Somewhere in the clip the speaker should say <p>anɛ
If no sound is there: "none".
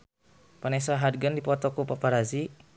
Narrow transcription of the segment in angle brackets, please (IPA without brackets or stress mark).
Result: p